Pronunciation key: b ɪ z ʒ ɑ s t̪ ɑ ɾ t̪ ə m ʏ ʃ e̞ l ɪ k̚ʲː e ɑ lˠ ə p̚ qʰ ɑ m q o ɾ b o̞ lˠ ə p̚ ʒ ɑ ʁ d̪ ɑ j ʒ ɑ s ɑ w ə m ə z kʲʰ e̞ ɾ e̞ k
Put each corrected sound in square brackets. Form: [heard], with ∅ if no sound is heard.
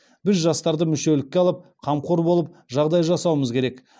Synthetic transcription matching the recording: b ɪ z ʒ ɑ s t̪ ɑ ɾ [d̪] ə m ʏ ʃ e̞ l ɪ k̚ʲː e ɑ lˠ ə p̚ qʰ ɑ m q o ɾ b o̞ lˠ ə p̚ ʒ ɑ ʁ d̪ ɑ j ʒ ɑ s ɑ w ə m ə z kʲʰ e̞ ɾ e̞ k